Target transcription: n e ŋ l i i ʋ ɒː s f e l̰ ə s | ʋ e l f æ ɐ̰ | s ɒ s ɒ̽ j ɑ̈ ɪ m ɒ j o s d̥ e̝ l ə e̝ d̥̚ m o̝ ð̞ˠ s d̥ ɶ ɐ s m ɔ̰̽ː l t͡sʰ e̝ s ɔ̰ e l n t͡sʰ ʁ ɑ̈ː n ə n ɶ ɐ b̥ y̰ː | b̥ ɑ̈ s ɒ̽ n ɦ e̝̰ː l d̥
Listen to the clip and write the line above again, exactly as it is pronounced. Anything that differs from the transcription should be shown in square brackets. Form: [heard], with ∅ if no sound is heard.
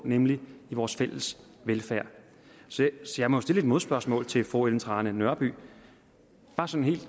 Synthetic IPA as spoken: n e [m] l i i ʋ ɒː s f e l̰ ə s | ʋ e l f æ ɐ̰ | s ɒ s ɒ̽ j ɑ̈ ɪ m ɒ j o s d̥ e̝ l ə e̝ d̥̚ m o̝ ð̞ˠ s [b̥] ɶ ɐ s m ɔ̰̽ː l t͡sʰ e̝ [f] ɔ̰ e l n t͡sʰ ʁ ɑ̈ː n ə n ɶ ɐ b̥ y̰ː | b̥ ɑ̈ s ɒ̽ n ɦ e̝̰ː l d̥